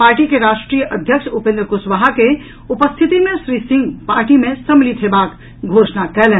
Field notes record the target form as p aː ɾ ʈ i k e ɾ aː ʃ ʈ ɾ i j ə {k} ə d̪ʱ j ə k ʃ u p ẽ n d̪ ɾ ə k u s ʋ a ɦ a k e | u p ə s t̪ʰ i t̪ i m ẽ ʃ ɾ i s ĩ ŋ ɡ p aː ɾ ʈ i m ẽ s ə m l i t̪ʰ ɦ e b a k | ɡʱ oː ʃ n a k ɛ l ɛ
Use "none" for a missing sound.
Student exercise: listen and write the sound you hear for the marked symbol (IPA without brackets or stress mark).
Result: ʔ